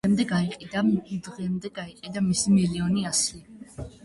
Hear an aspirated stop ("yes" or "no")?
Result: no